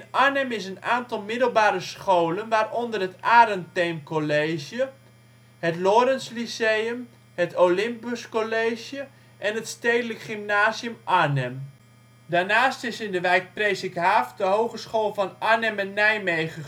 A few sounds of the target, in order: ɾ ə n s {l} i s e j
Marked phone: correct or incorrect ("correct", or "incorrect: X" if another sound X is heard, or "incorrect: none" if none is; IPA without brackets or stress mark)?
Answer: correct